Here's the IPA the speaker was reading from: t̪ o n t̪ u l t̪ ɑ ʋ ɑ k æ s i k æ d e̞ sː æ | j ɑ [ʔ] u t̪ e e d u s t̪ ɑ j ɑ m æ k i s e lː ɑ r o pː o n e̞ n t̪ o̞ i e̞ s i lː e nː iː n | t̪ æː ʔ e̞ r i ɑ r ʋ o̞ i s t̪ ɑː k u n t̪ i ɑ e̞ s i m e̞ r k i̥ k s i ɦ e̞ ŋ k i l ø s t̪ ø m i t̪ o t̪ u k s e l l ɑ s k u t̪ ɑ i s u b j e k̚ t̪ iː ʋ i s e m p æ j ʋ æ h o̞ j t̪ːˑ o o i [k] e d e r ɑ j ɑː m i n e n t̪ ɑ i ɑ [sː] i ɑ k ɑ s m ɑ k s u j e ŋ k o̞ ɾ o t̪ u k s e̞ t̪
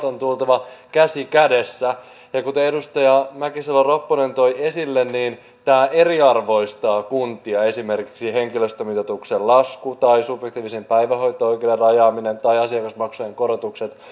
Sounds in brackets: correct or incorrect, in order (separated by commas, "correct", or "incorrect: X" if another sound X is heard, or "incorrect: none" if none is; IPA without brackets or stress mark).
incorrect: k, correct, incorrect: s